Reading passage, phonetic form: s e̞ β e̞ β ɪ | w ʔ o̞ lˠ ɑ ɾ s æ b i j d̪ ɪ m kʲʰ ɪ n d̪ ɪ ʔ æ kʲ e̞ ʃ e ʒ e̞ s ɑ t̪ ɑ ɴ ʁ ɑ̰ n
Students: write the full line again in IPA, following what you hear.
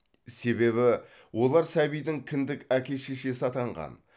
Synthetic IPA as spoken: s e̞ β e̞ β ɪ | w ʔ o̞ lˠ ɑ ɾ s æ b i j d̪ ɪ ŋ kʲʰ ɪ n d̪ ɪ k æ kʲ e̞ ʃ e ʃ e̞ s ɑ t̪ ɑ ɴ ʁ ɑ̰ n